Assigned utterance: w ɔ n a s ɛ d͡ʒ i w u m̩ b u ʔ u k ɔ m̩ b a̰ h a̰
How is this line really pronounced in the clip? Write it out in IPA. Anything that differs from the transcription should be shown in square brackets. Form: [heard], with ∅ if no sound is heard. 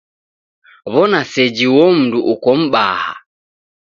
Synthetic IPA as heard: [β] ɔ n a s ɛ d͡ʒ i w [ɔ] m̩ [d] u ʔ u k ɔ m̩ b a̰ h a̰

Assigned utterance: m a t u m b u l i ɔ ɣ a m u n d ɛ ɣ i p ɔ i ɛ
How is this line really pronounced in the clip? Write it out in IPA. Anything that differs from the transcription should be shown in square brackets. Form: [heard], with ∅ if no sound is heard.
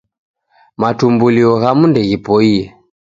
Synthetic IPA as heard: m a t u m b u l i ɔ ɣ a m u n d ɛ ɣ i p ɔ i ɛ

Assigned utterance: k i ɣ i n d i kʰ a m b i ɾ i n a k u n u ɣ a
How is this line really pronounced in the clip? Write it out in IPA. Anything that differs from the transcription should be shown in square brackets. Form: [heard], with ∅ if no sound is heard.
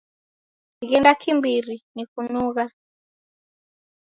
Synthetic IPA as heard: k i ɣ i n d [a] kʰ [i] m b i ɾ i n [i] k u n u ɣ a

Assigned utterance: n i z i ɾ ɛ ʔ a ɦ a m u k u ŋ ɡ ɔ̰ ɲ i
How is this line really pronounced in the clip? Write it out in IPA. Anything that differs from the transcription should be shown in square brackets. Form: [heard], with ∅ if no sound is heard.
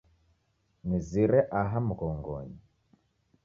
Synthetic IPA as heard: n i z i ɾ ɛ ʔ a ɦ a m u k [ɔ] ŋ ɡ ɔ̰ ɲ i

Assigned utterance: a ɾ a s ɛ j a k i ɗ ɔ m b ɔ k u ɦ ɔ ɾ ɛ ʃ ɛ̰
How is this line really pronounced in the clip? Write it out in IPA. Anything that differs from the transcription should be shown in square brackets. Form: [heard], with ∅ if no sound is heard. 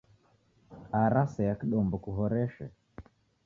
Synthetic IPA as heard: a ɾ a s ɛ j a k i ɗ ɔ m b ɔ k u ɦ ɔ ɾ ɛ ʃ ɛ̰

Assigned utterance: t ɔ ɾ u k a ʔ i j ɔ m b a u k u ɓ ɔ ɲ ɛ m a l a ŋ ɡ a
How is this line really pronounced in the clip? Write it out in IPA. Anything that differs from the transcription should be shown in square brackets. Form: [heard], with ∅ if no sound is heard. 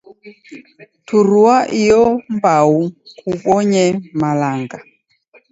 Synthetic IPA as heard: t [u] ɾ u [∅] a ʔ i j ɔ m b a u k u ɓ ɔ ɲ ɛ m a l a ŋ ɡ a

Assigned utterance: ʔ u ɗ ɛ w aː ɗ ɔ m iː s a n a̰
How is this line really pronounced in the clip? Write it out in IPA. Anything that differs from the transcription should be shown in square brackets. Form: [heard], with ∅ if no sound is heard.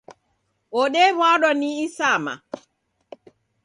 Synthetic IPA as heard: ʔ [ɔ] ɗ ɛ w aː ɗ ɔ [n] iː s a [m] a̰

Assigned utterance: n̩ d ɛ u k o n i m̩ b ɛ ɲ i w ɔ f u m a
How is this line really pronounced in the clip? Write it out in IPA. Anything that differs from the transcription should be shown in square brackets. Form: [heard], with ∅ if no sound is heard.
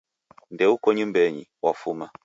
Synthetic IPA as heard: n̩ d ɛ u k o [ɲ] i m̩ b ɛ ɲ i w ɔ f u m a

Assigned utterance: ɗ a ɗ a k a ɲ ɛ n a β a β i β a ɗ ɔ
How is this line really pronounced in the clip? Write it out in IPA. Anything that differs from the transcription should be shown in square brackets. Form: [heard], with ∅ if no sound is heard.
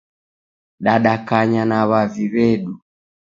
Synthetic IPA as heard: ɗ a ɗ a k a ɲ [a] n a β a [v] i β [ɛ] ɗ [u]

